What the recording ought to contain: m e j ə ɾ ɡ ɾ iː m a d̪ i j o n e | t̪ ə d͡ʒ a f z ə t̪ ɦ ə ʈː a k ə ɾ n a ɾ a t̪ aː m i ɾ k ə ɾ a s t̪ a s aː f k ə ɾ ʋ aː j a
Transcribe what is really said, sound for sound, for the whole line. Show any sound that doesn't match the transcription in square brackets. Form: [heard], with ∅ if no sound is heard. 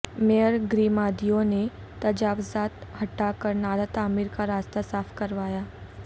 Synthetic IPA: m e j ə ɾ ɡ ɾ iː m a d̪ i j o n e | t̪ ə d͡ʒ a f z [a] t̪ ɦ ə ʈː a k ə ɾ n a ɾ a t̪ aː m i ɾ k [a] ɾ a s t̪ a s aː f k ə ɾ ʋ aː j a

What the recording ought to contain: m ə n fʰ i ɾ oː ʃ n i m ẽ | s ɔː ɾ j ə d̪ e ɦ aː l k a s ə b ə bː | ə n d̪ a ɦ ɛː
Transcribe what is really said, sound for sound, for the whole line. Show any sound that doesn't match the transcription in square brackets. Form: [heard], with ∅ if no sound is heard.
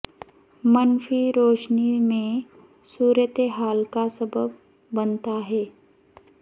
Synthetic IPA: m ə n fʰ i ɾ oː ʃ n i m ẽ | s [uː] ɾ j ə [t̪] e ɦ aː l k a s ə b ə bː | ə n [t̪] a ɦ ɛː

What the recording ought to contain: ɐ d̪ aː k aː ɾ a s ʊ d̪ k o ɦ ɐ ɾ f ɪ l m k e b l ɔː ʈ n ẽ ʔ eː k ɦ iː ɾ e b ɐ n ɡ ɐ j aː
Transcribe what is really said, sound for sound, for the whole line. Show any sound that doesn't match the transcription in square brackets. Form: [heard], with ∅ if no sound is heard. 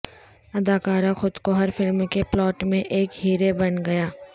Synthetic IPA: ɐ d̪ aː k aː ɾ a [x] ʊ d̪ k o ɦ ɐ ɾ f ɪ l m k e [p] l ɔː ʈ [m] ẽ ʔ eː k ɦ iː ɾ e b ɐ n ɡ ɐ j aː

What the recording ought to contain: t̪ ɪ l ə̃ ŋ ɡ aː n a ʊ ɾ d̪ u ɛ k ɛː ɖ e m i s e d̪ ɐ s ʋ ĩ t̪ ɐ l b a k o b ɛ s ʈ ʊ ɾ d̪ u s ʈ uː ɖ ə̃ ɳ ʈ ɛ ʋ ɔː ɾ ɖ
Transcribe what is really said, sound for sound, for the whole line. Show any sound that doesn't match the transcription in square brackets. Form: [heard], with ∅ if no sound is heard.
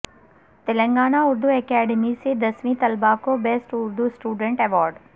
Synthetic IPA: t̪ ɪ l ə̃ ŋ ɡ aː n a ʊ ɾ d̪ u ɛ k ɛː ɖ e m i s e d̪ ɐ s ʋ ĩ t̪ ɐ l b a k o b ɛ s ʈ ʊ ɾ d̪ u s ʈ uː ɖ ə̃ ɳ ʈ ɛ ʋ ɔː ɾ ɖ

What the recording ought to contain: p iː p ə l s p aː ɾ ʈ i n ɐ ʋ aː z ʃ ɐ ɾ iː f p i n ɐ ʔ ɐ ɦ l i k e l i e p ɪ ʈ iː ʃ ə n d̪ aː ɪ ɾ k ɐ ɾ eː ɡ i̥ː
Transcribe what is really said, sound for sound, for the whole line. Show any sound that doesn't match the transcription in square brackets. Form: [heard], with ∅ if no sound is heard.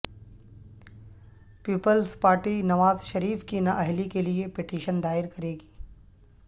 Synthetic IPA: p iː p ə l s p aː ɾ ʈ i n ɐ ʋ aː z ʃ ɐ ɾ iː f [k] i n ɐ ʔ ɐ ɦ l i k e l i e p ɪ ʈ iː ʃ ə n d̪ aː ɪ ɾ k ɐ ɾ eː ɡ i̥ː

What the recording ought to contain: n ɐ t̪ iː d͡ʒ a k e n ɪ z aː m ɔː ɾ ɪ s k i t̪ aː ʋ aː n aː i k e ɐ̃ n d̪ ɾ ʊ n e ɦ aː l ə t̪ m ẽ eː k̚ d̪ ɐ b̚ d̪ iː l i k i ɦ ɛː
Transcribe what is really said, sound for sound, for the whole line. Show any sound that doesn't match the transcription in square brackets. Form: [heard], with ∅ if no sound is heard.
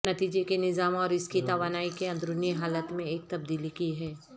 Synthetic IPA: n ɐ t̪ iː d͡ʒ [e] k e n ɪ z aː m ɔː ɾ ɪ s k i t̪ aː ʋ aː n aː i k e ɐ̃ n d̪ ɾ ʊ n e ɦ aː l ə t̪ m ẽ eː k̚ [t̪] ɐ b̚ d̪ iː l i k i ɦ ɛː

